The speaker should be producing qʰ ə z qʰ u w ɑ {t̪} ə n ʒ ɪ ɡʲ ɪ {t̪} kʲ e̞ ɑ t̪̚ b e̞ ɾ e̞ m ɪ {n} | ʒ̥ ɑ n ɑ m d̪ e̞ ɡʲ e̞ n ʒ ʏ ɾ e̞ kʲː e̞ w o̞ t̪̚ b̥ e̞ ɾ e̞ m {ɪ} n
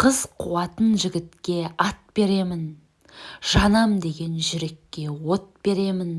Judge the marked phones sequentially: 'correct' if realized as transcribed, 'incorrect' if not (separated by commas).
correct, correct, correct, correct